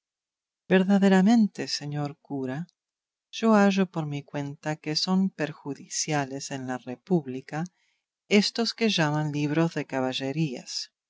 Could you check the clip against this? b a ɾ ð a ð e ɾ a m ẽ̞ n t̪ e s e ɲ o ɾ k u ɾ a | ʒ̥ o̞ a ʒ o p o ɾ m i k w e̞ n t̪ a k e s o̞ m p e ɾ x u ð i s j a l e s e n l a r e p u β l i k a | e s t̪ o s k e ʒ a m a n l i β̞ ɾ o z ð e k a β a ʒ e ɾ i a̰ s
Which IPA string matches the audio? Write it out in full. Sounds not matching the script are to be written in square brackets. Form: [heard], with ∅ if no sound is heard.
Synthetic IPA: b [e] ɾ ð a ð e ɾ a m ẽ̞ n t̪ e s e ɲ o ɾ k u ɾ a | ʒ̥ o̞ a ʒ o p o ɾ m i k w e̞ n t̪ a k e s o̞ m p e ɾ x u ð i s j a l e s e n l a r e p u β l i k a | e s t̪ o s k e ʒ a m a n l i β̞ ɾ o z ð e k a β a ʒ e ɾ i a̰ s